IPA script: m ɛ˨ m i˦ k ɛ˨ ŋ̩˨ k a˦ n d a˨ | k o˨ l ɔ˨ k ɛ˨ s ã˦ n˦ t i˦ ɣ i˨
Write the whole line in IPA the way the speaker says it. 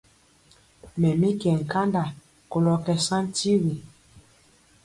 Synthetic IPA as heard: m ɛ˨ m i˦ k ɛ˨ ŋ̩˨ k a˦ n d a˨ | k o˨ l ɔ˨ k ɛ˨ s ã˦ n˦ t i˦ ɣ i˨